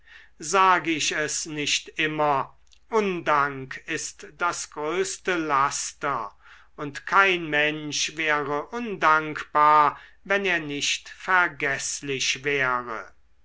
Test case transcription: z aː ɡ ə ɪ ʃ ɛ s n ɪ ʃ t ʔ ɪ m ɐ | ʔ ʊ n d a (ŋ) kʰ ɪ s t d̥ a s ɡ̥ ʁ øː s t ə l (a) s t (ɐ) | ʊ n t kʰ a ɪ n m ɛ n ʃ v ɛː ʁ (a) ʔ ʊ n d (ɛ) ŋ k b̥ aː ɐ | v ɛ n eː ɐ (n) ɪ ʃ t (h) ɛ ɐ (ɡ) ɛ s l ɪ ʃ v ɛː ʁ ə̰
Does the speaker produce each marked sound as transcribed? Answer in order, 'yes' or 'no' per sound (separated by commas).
yes, yes, yes, no, no, yes, no, yes